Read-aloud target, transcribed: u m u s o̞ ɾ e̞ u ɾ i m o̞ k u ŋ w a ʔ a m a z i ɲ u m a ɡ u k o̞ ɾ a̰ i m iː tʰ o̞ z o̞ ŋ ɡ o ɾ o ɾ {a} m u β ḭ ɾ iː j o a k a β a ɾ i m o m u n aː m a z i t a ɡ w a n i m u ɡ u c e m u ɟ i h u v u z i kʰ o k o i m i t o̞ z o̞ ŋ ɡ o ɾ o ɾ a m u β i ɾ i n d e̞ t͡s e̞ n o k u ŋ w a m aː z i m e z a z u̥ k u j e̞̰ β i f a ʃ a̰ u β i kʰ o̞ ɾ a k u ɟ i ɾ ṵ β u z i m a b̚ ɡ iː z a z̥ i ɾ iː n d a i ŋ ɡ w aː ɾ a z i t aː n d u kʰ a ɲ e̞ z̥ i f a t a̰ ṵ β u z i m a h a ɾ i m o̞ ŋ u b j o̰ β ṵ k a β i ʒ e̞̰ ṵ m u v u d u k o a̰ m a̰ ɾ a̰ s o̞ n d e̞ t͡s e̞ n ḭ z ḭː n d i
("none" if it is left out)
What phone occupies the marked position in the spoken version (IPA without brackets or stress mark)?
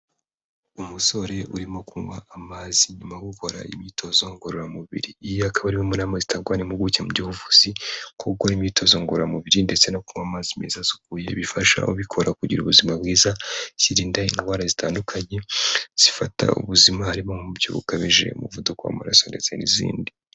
a